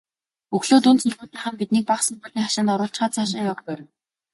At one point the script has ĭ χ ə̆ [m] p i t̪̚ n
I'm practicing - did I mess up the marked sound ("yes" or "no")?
no